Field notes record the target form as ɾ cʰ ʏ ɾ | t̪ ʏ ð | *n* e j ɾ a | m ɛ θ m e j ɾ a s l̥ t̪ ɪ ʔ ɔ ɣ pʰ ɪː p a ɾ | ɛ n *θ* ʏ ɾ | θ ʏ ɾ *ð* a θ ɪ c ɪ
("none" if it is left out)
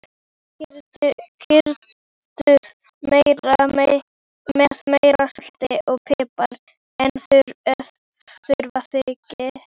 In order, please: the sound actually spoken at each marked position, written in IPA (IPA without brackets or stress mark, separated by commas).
m, θ, v